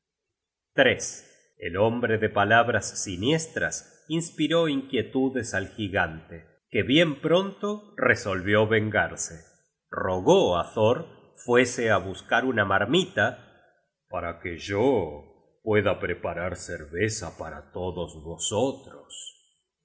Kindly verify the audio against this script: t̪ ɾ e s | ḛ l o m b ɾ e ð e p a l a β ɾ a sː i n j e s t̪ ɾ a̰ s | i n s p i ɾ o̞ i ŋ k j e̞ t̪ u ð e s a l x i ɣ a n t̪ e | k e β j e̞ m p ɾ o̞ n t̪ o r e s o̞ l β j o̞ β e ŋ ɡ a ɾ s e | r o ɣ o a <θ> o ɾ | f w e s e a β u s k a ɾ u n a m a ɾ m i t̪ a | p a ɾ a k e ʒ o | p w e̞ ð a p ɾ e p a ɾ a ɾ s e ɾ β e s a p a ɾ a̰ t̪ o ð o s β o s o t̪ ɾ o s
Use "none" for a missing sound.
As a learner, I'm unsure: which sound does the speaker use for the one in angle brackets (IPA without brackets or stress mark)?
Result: θ